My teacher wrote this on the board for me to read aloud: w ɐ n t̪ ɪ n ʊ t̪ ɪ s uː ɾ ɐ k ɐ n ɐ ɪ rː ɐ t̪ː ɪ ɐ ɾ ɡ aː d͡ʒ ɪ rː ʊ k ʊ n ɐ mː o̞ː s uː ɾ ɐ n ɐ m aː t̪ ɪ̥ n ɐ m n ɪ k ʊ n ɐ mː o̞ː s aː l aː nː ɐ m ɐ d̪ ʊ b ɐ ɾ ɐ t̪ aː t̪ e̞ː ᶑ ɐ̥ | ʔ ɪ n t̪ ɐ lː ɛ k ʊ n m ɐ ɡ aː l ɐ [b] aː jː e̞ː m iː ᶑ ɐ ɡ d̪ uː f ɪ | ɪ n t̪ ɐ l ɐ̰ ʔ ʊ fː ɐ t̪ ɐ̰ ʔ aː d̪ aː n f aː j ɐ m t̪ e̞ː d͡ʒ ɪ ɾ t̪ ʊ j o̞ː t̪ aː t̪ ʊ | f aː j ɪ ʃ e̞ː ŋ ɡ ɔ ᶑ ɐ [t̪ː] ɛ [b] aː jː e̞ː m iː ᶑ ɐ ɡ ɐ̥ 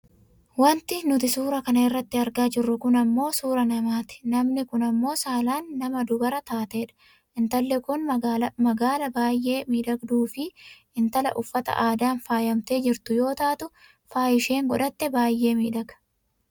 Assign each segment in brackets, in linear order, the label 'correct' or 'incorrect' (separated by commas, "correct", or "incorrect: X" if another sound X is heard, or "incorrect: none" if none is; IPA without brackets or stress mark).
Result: correct, correct, correct